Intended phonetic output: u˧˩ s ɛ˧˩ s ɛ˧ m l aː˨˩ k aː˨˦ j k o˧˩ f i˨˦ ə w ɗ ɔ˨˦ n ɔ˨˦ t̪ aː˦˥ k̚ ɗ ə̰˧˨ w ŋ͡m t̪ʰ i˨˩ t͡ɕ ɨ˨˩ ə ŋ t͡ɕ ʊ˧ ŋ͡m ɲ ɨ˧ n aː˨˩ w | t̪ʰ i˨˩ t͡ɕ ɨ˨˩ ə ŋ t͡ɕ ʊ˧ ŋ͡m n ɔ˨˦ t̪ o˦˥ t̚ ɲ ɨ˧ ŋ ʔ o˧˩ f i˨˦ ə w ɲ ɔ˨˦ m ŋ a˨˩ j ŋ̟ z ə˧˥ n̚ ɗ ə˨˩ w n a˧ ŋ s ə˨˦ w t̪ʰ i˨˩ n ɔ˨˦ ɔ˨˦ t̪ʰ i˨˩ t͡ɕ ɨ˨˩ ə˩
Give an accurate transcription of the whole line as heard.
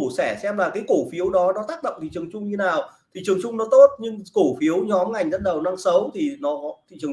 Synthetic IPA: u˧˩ s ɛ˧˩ s ɛ˧ m l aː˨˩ k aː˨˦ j k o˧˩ f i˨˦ ə w ɗ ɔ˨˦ n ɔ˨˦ t̪ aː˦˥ k̚ ɗ ə̰˧˨ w ŋ͡m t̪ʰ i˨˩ t͡ɕ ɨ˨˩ ə ŋ t͡ɕ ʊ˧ ŋ͡m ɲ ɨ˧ n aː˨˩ w | t̪ʰ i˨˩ t͡ɕ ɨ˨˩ ə ŋ t͡ɕ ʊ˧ ŋ͡m n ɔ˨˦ t̪ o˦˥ t̚ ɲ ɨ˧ ŋ k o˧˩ f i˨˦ ə w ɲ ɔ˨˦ m ŋ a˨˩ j ŋ̟ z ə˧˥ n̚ ɗ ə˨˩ w n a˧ ŋ s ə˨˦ w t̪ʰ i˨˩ n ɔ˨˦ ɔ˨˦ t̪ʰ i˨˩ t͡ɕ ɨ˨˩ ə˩